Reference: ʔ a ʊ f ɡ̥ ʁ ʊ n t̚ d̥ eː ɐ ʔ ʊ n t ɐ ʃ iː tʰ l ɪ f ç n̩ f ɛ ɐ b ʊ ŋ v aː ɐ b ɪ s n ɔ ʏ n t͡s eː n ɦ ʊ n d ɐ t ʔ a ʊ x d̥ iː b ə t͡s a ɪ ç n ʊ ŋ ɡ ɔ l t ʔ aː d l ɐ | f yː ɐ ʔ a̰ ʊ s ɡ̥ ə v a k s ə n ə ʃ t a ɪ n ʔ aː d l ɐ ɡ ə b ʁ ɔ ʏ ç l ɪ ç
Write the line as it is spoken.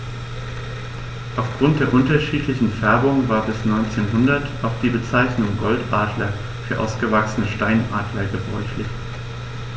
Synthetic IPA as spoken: ʔ a ʊ f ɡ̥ ʁ ʊ n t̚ d̥ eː ɐ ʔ ʊ n t ɐ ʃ iː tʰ l ɪ ç n̩ f ɛ ɐ b ʊ ŋ v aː ɐ b ɪ s n ɔ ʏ n t͡s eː n ɦ ʊ n d ɐ t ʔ a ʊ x d̥ iː b ə t͡s a ɪ ç n ʊ ŋ ɡ ɔ l t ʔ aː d l ɐ | f yː ɐ ʔ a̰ ʊ s ɡ̥ ə v a k s ə n ə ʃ t a ɪ n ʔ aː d l ɐ ɡ ə b ʁ ɔ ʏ ç l ɪ ç